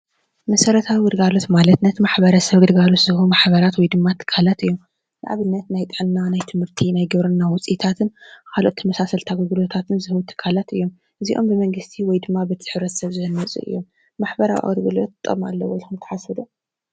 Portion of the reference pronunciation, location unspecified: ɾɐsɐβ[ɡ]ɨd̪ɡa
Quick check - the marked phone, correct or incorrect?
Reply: correct